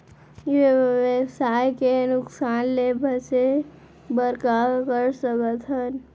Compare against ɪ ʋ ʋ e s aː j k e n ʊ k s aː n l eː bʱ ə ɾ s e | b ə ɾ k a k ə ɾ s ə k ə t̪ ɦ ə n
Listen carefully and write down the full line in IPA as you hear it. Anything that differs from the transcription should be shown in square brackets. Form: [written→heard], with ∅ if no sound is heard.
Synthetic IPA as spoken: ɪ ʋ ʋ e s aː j k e n ʊ k s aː n l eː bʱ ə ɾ s e | b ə ɾ k a k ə ɾ s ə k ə t̪ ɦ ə n